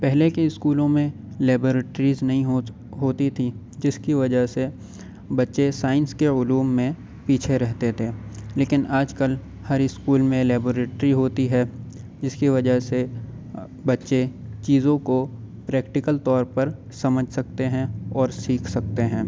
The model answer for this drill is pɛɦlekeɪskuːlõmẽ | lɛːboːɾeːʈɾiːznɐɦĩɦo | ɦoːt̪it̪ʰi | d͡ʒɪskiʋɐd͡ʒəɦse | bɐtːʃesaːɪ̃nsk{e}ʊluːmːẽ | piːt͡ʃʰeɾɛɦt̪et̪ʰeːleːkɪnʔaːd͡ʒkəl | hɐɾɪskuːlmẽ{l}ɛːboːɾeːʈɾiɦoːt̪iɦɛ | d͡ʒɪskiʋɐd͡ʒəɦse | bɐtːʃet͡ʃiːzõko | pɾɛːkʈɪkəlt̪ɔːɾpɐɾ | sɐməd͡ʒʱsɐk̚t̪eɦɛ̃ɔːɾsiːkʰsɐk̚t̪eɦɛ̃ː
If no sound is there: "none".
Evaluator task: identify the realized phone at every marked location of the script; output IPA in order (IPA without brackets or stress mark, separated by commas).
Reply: e, l